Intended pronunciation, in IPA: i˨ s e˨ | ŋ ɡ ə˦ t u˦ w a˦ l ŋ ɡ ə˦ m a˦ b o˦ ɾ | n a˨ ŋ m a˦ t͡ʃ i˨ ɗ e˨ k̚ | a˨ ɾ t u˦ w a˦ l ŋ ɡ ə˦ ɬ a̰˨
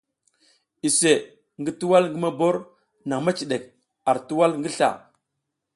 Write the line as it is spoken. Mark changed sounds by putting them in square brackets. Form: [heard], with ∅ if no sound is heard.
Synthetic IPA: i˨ s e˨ | ŋ ɡ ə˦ t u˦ w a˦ l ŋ ɡ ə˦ m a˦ b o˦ ɾ | n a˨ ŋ m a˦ t͡ʃ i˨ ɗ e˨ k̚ | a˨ ɾ t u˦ w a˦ l ŋ ɡ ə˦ ɬ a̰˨